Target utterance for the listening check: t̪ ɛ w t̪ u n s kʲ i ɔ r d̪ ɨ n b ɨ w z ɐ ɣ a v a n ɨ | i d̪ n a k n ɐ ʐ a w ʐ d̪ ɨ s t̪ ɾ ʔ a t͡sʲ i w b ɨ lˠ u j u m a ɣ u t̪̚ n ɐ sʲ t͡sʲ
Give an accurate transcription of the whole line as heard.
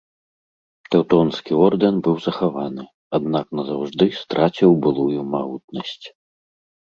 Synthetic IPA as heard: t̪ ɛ w t̪ ɔ n s kʲ i ɔ r d̪ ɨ n b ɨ w z ɐ x a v a n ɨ | a d̪ n a k n ɐ z a w ʐ d̪ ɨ s t̪ ɾ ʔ a t͡sʲ i w b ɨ lˠ u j u m a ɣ u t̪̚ n ɐ sʲ t͡sʲ